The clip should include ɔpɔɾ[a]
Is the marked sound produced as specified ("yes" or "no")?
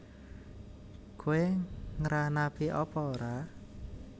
yes